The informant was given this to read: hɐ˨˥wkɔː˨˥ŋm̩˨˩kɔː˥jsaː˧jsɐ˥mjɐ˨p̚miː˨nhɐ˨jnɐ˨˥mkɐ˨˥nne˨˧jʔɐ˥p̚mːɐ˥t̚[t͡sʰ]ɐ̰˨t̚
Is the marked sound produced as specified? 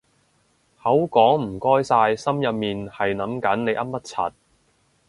yes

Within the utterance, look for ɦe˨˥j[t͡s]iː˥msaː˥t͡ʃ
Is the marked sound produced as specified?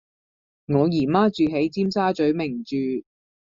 yes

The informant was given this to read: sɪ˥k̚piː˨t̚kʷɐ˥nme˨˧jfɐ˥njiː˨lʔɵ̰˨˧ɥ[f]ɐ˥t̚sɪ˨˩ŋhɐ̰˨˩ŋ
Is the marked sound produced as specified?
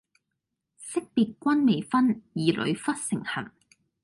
yes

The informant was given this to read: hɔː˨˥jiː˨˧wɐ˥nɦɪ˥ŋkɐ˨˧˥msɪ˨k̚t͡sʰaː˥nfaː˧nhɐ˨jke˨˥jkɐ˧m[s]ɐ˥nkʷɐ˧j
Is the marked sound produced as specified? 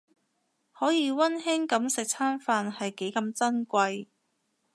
no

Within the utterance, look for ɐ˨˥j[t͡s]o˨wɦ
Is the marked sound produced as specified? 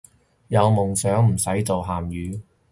yes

